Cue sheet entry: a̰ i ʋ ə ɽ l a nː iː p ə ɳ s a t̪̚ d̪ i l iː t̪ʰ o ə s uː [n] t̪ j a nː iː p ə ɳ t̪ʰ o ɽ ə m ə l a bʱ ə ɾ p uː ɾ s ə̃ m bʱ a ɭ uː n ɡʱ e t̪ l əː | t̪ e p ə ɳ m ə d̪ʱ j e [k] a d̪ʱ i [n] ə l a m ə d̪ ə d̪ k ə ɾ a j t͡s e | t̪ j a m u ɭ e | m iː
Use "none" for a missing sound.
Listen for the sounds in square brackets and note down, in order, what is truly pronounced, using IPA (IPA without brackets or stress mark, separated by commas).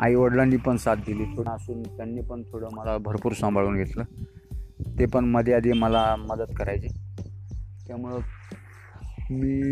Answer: n, none, m